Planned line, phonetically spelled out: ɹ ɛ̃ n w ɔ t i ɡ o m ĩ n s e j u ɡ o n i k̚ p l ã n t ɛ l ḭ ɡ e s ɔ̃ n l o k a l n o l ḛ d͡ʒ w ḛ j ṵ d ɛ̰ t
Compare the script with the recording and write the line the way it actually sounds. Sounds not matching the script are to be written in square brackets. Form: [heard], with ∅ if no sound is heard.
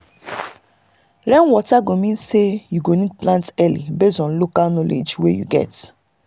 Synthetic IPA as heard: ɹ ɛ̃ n w ɔ t [a] ɡ o m ĩ n s e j u ɡ o n i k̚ p l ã n t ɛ l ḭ [b] e s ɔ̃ n l o k a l n [ɔ] l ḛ d͡ʒ w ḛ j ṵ [ɡ] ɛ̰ t